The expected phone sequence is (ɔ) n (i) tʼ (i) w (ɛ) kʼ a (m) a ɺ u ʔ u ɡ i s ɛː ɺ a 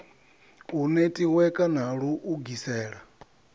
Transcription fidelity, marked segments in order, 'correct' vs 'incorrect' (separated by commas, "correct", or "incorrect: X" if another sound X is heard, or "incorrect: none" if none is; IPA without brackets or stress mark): incorrect: u, incorrect: e, correct, correct, incorrect: n